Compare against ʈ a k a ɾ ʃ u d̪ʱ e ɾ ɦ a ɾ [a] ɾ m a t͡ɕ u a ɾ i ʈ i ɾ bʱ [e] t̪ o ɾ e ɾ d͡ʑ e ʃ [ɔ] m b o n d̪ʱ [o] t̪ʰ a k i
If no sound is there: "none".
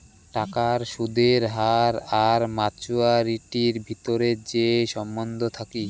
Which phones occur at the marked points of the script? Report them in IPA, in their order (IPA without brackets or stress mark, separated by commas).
a, i, ɔ, o